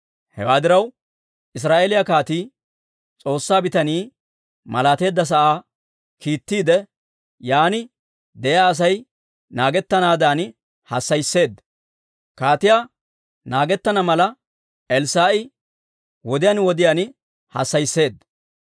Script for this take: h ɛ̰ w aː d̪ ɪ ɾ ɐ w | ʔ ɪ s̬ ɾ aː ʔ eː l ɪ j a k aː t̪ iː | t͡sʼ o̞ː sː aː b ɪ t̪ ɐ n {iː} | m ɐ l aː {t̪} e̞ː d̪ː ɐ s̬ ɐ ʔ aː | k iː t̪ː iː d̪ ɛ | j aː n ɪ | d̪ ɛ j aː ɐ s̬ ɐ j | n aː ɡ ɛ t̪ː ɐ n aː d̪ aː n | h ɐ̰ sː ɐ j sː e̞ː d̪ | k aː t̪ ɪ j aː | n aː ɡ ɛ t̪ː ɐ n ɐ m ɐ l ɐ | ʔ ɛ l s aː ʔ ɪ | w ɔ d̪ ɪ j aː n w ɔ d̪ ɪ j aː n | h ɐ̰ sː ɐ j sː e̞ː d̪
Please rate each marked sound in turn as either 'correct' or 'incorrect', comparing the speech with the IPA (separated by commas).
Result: correct, correct